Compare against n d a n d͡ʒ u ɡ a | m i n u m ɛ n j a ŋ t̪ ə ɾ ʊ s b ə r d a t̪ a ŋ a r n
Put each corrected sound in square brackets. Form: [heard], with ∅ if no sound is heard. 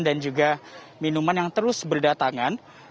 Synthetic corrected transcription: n d a n d͡ʒ u ɡ a | m i n u m [a] n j a ŋ t̪ ə ɾ ʊ s b ə r d a t̪ a ŋ a [∅] n